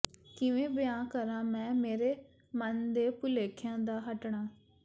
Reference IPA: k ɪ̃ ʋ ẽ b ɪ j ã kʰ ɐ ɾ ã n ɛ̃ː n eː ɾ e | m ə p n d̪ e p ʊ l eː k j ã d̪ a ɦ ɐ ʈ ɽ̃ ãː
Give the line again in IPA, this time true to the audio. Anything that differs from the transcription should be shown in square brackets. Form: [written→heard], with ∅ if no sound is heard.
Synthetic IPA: k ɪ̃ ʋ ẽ b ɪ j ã [kʰ→k] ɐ ɾ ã [n→m] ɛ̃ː [n→m] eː ɾ e | m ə [p→∅] n d̪ e p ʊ l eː [k→kʰ] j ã d̪ a ɦ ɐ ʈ ɽ̃ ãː

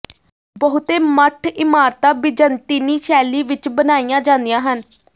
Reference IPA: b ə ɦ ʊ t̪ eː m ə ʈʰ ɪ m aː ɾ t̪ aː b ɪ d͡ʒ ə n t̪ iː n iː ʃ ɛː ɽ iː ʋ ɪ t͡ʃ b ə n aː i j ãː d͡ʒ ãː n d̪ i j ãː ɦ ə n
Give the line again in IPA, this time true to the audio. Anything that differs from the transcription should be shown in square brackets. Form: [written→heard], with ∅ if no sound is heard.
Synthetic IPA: b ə ɦ ʊ t̪ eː m ə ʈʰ ɪ m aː ɾ t̪ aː b ɪ d͡ʒ ə n t̪ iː n iː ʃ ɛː [ɽ→l] iː ʋ ɪ t͡ʃ b ə n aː i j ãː d͡ʒ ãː n d̪ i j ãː ɦ ə n

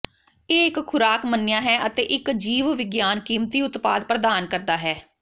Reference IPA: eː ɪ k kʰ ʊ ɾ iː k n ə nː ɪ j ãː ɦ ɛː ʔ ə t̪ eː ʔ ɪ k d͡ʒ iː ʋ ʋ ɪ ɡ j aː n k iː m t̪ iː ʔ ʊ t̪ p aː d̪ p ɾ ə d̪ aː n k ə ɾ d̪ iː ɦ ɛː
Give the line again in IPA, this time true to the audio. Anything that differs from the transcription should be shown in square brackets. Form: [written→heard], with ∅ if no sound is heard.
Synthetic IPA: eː ɪ k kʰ ʊ ɾ [iː→aː] k [n→m] ə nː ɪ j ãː ɦ ɛː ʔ ə t̪ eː ʔ ɪ k d͡ʒ iː ʋ ʋ ɪ ɡ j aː n k iː m t̪ iː [ʔ→∅] ʊ t̪ p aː d̪ p ɾ ə d̪ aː n k ə ɾ d̪ [iː→aː] ɦ ɛː

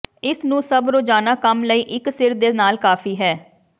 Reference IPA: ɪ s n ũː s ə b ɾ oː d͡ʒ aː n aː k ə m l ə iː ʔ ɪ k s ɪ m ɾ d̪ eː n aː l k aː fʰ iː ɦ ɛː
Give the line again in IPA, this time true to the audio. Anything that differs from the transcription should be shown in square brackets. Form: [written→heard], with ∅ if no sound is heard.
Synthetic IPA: ɪ s n ũː s ə b ɾ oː d͡ʒ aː n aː k ə m l ə iː ʔ ɪ k s ɪ [m→∅] ɾ d̪ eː n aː l k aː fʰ iː ɦ ɛː

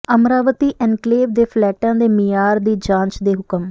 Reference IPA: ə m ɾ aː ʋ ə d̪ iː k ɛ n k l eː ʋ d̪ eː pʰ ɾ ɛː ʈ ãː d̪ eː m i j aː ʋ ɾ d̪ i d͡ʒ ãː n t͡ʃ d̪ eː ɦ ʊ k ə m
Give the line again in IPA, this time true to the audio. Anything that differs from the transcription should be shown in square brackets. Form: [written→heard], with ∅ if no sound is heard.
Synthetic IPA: ə m ɾ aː ʋ ə [d̪→t̪] iː [k→ʔ] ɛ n k l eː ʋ d̪ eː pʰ [ɾ→l] ɛː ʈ ãː d̪ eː m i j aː [ʋ→∅] ɾ d̪ [i→iː] d͡ʒ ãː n t͡ʃ d̪ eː ɦ ʊ k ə m

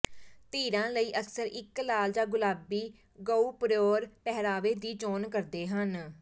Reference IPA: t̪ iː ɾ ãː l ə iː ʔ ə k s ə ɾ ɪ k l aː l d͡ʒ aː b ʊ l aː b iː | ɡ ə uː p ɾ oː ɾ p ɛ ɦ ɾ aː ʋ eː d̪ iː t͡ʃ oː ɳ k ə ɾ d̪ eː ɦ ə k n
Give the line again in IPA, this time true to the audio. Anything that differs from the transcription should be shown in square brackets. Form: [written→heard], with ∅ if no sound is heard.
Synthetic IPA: t̪ iː ɾ ãː l ə iː ʔ ə k s ə ɾ ɪ k l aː l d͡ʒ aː [b→ɡ] ʊ l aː b iː | ɡ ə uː p ɾ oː ɾ p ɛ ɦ ɾ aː ʋ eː d̪ iː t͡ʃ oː [ɳ→n] k ə ɾ d̪ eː ɦ ə [k→∅] n

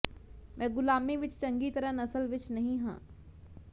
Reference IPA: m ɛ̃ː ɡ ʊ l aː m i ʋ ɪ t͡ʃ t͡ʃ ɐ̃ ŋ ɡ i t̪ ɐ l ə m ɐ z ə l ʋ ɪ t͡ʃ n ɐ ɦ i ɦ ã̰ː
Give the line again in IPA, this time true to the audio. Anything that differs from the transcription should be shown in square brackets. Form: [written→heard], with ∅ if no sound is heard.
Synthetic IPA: m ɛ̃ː ɡ ʊ l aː m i ʋ ɪ t͡ʃ t͡ʃ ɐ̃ ŋ ɡ i t̪ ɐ [l→ɾ] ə [m→n] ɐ [z→s] ə l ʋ ɪ t͡ʃ n ɐ ɦ [i→ĩ] ɦ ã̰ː

